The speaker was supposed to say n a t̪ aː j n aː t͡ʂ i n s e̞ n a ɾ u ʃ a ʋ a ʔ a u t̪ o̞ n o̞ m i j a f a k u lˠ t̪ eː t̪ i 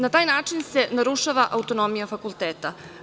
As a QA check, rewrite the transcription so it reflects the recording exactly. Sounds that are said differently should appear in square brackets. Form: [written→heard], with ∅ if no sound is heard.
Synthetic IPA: n a t̪ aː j n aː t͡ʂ i n s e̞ n a ɾ u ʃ a ʋ a ʔ a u t̪ o̞ n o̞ m i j a f a k u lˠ t̪ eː t̪ [i→a]